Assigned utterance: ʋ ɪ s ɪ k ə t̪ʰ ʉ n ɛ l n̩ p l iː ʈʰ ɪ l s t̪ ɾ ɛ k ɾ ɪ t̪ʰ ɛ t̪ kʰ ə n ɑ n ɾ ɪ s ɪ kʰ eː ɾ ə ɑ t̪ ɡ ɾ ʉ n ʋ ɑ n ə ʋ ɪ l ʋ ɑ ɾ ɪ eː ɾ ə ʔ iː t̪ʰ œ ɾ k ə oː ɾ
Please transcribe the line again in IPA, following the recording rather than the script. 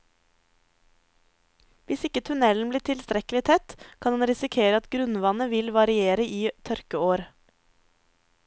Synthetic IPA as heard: ʋ ɪ s ɪ k ə t̪ʰ ʉ n ɛ l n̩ b l iː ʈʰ ɪ l s t̪ ɾ ɛ k l ɪ t̪ʰ ɛ t̪ kʰ ɑ n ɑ n ɾ ɪ s ɪ kʰ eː ɾ ə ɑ t̪ ɡ ɾ ʉ n ʋ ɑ n ə ʋ ɪ l ʋ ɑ ɾ ɪ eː ɾ ə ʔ iː t̪ʰ œ ɾ k ə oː ɾ